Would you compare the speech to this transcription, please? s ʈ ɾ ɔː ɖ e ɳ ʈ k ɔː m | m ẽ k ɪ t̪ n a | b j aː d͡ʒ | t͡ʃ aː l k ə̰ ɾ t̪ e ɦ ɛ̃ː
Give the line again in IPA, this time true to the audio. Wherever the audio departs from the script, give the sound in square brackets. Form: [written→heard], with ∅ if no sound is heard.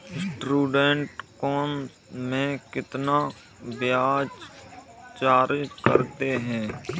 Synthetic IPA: s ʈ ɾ [ɔː→uː] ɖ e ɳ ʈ k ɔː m | m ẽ k ɪ t̪ n a | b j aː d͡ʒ | t͡ʃ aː [l→ɾ] k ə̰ ɾ t̪ e ɦ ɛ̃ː